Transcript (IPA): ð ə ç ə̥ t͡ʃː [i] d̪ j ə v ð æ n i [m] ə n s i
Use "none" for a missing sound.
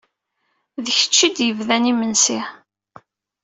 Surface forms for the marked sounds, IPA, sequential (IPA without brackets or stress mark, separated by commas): i, m